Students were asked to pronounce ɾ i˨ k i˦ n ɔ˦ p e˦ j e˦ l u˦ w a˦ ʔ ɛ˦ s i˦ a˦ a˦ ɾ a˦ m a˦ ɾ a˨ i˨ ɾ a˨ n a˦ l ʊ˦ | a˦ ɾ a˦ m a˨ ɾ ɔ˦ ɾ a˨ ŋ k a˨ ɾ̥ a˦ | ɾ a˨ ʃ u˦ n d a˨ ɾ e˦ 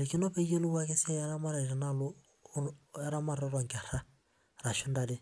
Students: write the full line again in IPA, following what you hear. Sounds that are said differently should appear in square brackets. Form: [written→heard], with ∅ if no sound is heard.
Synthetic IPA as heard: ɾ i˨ k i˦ n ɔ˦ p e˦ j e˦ l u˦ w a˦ [ʔ→k] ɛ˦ s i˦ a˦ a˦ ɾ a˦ m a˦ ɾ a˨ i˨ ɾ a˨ n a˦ l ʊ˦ | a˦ ɾ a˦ m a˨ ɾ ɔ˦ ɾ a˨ ŋ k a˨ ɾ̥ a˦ | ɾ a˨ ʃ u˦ n d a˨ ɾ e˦